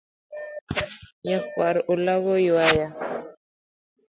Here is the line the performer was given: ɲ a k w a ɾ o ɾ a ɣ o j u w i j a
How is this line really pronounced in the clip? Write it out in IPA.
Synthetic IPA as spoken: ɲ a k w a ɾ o l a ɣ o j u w a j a